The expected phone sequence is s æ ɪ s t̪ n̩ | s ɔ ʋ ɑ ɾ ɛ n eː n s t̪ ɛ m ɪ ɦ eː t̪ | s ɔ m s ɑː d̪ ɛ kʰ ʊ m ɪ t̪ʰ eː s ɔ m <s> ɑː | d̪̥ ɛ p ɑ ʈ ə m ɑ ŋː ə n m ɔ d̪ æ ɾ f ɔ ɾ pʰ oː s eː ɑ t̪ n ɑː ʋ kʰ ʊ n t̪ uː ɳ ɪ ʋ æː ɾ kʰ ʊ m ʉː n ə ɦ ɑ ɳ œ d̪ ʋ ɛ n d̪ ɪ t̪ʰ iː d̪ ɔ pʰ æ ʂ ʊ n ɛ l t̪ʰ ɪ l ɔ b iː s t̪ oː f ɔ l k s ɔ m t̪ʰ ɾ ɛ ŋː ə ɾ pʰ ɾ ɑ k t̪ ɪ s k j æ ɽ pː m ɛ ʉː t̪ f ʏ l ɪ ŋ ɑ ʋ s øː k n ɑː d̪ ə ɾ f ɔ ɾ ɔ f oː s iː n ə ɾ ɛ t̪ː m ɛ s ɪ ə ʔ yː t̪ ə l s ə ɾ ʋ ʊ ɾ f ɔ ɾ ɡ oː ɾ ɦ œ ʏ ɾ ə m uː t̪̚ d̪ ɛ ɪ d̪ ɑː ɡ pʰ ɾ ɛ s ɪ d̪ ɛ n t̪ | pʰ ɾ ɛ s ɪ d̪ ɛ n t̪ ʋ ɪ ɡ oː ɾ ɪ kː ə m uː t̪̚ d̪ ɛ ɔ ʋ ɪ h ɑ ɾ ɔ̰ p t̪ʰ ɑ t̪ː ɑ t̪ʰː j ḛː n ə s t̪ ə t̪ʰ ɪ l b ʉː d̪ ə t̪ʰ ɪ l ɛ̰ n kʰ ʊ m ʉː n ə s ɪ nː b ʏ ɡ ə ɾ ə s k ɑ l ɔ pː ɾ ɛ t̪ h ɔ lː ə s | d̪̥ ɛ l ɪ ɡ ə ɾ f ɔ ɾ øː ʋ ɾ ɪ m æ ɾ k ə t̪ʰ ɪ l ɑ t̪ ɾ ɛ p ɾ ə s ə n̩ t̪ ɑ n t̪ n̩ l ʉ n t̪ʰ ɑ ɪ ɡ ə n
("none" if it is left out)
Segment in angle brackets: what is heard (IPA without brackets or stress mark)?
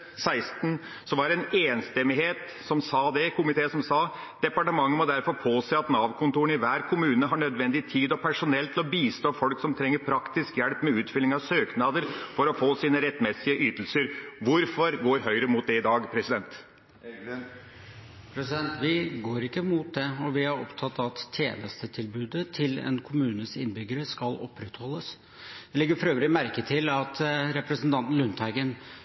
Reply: s